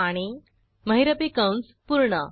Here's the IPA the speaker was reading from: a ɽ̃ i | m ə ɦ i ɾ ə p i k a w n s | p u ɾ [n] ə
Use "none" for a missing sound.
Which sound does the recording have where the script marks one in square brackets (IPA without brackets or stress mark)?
ɳ